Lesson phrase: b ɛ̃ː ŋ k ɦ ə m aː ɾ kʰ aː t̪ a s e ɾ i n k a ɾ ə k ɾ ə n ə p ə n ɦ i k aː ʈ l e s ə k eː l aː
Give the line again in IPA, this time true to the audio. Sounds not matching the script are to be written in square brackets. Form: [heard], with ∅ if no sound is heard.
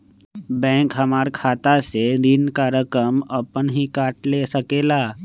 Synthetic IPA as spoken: b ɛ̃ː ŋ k ɦ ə m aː ɾ kʰ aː t̪ a s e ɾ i n k a ɾ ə k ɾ ə [m] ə p ə n ɦ i k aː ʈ l e s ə k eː l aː

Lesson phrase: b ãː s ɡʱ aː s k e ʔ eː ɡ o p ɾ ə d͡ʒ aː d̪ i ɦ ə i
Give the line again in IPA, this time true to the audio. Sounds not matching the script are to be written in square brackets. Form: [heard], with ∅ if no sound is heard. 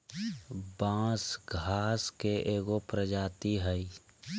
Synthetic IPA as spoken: b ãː s ɡʱ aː s k e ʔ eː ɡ o p ɾ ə d͡ʒ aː [t̪] i ɦ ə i

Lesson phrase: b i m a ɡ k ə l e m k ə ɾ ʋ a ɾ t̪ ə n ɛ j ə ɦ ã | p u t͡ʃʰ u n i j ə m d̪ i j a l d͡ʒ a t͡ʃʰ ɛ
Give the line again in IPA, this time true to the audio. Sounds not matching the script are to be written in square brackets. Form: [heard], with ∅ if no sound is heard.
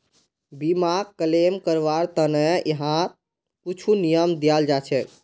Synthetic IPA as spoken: b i m a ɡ k ə l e m k ə ɾ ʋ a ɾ t̪ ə n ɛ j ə ɦ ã | p u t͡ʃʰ u n i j ə m d̪ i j a l d͡ʒ a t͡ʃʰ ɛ

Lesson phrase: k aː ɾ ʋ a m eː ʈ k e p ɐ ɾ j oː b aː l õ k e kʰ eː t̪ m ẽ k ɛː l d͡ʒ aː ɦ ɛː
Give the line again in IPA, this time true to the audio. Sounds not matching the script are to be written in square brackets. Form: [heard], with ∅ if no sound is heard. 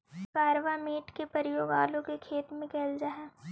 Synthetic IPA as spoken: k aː ɾ ʋ a m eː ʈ k e p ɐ ɾ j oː [ɡ] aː l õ k e kʰ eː t̪ m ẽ k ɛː l d͡ʒ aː ɦ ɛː

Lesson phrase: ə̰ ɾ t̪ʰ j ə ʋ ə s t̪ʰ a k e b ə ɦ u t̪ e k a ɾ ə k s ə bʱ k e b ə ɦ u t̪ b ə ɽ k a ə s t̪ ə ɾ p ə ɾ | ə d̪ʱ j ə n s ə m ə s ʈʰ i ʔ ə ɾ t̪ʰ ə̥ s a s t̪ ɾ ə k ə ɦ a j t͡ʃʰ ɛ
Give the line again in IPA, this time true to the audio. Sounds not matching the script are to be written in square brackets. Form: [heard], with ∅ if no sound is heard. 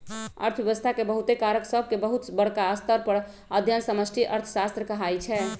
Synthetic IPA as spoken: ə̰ ɾ t̪ʰ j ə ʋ ə s t̪ʰ a k e b ə ɦ u t̪ e k a ɾ ə k s ə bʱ k e b ə ɦ u t̪ b ə ɽ k a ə s t̪ ə ɾ p ə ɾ | ə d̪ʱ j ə n s ə m ə s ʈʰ i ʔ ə ɾ t̪ʰ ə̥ s a s t̪ ɾ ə k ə ɦ a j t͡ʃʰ ɛ

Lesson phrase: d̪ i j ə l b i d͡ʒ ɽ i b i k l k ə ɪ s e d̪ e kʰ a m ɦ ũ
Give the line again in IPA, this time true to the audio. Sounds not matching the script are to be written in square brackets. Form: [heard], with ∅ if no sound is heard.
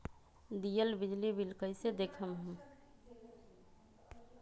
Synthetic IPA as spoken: d̪ i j ə l b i d͡ʒ [l] i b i [∅] l k ə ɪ s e d̪ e kʰ [ə] m ɦ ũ

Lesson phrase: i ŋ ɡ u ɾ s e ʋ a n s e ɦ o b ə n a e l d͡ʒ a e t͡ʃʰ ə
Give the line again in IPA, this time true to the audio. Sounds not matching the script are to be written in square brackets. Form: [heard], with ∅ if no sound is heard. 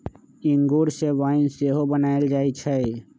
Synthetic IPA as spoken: i ŋ ɡ u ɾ s e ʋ a n s e ɦ o b ə n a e l d͡ʒ a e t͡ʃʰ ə

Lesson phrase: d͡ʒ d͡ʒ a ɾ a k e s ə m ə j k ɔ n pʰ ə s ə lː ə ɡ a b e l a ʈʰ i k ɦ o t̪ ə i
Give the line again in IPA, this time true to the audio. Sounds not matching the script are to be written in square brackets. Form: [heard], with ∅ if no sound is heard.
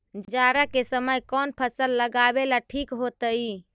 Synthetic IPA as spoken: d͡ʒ d͡ʒ a ɾ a k e s ə m ə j k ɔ n pʰ ə s ə lː ə ɡ a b e l a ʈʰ i k ɦ o t̪ ə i

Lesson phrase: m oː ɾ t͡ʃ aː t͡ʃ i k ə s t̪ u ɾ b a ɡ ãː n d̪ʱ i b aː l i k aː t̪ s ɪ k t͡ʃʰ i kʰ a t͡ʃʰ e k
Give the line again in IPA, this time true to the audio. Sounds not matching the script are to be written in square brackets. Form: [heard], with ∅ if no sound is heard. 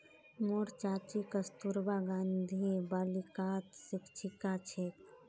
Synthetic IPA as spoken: m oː ɾ t͡ʃ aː t͡ʃ i k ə s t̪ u ɾ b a ɡ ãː n d̪ʱ i b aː l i k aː t̪ s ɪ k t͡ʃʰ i [k] a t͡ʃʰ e k

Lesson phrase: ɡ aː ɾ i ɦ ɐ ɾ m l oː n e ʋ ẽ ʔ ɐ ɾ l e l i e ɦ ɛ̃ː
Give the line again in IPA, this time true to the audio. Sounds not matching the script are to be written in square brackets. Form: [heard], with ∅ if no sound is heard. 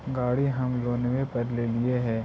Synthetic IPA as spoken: ɡ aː [ɽ] i ɦ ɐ [∅] m l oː n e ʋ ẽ [p] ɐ ɾ l e l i e ɦ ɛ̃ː

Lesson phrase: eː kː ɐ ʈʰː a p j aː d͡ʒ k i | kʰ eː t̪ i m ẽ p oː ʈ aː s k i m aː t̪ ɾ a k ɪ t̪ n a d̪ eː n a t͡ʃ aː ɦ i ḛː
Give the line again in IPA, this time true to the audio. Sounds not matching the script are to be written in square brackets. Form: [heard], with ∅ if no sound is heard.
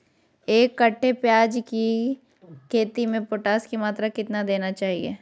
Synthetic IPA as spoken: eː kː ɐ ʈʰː [e] p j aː d͡ʒ k i | kʰ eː t̪ i m ẽ p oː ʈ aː s k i m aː t̪ ɾ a k ɪ t̪ n a d̪ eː n a t͡ʃ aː ɦ i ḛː

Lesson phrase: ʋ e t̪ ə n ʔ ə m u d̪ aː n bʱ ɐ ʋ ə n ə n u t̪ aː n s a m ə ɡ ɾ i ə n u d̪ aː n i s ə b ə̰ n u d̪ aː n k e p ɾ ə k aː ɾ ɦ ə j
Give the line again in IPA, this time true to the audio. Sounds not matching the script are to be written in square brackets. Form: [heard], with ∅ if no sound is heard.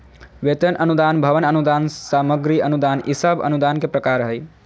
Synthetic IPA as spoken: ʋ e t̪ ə n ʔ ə [n] u d̪ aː n bʱ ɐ ʋ ə n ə n u [d̪] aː n s a m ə ɡ ɾ i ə n u d̪ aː n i s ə b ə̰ n u d̪ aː n k e p ɾ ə k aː ɾ ɦ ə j

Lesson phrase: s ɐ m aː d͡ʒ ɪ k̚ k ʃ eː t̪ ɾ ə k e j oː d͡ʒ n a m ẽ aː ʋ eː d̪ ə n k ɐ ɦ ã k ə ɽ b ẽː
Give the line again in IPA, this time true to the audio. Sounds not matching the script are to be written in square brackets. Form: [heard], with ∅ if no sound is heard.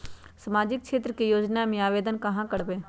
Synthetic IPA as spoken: s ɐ m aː d͡ʒ ɪ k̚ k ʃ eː t̪ ɾ ə k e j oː d͡ʒ n a m ẽ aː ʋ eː d̪ ə n k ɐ ɦ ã k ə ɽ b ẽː

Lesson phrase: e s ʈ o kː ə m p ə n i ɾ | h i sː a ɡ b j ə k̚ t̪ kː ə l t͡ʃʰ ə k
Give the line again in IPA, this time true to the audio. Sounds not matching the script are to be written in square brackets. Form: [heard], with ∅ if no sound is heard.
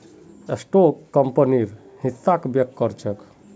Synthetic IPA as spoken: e s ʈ o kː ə m p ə n i ɾ | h i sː a [k] b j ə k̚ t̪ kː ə [ɾ] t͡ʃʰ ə k

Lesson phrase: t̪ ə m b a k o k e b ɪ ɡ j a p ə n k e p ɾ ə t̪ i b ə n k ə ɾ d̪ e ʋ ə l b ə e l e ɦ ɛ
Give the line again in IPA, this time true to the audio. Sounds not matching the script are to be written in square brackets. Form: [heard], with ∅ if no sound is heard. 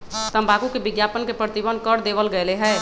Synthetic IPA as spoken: t̪ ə m b a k [u] k e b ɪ ɡ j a p ə n k e p ɾ ə t̪ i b ə n k ə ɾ d̪ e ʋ ə l [ɡ] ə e l e ɦ ɛ

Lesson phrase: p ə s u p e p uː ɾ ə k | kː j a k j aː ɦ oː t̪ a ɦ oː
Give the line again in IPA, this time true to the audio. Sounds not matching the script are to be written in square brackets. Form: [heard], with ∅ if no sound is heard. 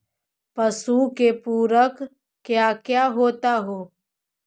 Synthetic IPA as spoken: p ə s u [k] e p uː ɾ ə k | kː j a k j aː ɦ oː t̪ a ɦ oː

